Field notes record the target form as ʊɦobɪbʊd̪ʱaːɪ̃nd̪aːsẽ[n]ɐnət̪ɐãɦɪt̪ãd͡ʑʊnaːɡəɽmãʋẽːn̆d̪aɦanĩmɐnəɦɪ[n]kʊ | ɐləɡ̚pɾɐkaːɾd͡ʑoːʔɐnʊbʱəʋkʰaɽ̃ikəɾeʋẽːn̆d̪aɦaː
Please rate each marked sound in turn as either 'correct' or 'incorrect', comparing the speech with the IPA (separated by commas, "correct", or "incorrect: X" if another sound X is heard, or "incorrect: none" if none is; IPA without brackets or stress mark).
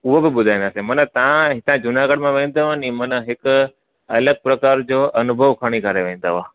incorrect: m, incorrect: none